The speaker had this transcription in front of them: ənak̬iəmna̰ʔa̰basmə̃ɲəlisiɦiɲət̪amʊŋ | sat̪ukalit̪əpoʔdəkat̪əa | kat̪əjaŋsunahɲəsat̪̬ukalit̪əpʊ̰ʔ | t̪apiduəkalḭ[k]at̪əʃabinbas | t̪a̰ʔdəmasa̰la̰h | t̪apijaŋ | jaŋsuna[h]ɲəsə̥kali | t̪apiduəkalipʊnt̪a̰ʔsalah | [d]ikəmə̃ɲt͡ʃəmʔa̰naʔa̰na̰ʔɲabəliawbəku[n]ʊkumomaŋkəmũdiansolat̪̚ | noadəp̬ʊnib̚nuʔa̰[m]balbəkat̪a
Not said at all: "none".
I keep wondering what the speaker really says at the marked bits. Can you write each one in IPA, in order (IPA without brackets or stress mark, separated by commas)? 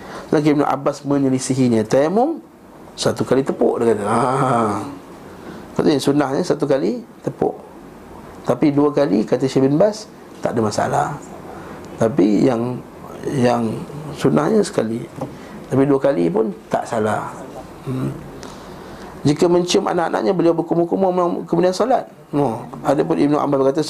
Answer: k, h, d͡ʒ, m, m